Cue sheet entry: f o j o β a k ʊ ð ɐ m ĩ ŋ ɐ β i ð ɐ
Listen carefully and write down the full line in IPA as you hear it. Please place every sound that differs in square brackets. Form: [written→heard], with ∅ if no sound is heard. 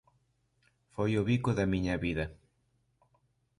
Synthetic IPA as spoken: f o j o β [a→i] k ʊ ð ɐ m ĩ [ŋ→ɲ] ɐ β i ð ɐ